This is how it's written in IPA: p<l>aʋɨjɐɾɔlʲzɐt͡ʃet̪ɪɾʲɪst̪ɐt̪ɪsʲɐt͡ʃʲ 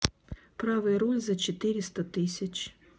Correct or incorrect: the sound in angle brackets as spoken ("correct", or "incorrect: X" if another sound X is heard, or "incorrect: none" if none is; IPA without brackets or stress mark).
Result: incorrect: ɾ